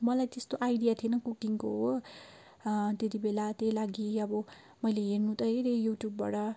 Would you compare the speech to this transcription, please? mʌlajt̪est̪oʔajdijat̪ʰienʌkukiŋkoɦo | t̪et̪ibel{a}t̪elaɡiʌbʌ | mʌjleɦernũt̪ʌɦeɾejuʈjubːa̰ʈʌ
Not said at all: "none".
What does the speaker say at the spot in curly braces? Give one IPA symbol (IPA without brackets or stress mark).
a